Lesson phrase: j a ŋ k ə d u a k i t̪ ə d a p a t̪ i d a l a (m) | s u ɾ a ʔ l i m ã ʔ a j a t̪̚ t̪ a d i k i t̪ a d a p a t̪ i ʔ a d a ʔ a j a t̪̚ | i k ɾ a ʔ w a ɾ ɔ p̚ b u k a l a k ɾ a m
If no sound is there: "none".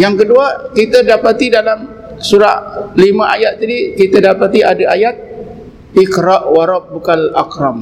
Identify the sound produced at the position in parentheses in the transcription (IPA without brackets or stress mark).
m